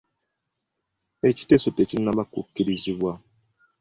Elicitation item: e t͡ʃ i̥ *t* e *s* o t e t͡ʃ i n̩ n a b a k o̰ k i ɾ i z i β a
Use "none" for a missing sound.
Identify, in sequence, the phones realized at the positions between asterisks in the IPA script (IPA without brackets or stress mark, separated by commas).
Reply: t, s